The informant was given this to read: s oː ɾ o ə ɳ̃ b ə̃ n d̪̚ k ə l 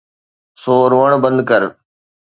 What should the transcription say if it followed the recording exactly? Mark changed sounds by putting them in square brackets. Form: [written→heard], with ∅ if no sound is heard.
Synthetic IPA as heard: s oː ɾ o ə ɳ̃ b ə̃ n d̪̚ k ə [l→ɾ]